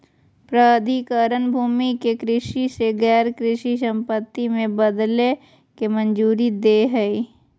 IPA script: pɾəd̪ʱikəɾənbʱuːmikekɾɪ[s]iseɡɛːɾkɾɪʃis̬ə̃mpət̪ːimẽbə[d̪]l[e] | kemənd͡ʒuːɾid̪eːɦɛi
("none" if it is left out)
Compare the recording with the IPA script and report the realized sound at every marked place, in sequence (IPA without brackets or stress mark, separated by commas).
ʃ, d̪, e